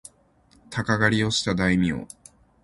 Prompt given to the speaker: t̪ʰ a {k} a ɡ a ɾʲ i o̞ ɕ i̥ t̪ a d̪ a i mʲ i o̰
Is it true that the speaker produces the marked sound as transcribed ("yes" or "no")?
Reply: yes